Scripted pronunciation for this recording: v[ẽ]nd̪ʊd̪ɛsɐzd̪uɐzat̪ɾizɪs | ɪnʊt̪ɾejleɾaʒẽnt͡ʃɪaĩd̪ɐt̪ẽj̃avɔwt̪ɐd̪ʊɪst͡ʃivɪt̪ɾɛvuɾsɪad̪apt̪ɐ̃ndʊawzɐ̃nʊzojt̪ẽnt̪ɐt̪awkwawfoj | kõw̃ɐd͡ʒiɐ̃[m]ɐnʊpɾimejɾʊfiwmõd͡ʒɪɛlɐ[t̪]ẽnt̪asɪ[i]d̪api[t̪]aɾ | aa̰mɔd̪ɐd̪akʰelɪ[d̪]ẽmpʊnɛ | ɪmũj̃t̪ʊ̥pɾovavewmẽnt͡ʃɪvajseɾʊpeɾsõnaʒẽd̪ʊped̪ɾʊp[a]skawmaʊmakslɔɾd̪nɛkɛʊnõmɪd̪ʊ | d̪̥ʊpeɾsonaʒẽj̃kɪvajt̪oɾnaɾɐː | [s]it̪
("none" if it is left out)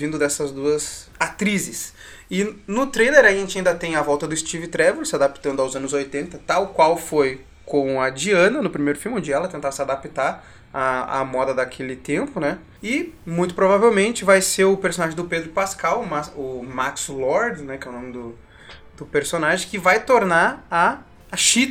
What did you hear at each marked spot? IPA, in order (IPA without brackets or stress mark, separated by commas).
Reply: ĩ, n, t̪, a, t̪, t̪, a, ʃ